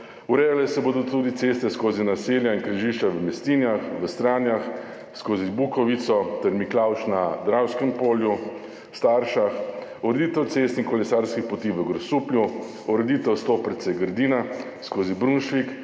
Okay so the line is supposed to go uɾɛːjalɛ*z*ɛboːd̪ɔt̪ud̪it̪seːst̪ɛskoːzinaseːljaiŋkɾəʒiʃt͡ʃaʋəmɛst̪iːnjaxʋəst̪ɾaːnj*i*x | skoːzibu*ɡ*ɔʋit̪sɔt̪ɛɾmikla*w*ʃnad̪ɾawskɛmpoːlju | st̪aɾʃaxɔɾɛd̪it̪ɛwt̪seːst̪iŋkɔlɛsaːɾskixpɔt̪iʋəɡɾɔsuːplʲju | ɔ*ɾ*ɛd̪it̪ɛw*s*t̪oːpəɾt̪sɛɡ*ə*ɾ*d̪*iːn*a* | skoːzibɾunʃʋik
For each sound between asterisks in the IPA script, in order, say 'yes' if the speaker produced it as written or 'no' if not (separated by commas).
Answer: no, no, no, yes, yes, yes, yes, yes, yes